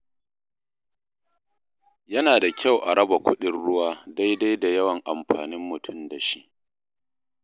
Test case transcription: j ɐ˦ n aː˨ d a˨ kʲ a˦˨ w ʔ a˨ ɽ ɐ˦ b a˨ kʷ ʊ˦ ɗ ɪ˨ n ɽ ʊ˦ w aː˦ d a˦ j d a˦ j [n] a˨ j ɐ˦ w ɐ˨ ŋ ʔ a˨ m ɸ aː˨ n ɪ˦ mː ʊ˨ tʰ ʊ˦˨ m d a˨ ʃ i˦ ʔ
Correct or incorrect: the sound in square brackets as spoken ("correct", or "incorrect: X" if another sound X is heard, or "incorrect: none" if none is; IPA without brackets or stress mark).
incorrect: d